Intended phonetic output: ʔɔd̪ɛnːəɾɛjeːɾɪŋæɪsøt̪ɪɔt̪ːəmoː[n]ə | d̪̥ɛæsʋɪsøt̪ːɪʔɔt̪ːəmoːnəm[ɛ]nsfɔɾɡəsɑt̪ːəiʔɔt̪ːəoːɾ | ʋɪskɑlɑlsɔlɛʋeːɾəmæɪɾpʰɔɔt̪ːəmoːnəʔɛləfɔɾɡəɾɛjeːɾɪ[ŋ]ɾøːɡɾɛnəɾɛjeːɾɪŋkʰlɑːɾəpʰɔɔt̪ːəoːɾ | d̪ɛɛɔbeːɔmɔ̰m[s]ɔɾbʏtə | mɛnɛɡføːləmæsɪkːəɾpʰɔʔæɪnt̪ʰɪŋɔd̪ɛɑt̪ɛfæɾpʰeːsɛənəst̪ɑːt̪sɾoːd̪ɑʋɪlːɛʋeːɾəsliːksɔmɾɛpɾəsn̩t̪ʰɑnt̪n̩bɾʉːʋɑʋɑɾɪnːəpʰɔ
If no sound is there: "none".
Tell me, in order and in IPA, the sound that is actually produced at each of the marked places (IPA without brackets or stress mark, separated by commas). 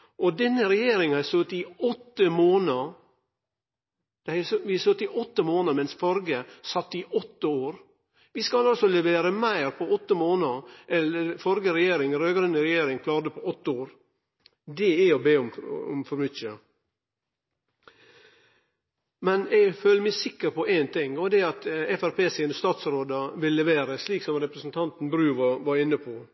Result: n, ɛ, ŋ, f